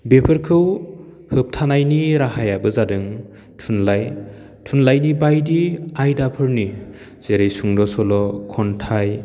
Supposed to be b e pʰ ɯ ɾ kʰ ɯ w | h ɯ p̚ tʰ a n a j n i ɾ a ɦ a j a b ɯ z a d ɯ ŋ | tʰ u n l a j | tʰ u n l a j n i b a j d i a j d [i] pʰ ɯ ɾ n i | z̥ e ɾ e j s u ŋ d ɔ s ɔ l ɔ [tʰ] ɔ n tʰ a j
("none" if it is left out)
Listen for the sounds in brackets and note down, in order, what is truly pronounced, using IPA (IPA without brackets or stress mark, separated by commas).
a, kʰ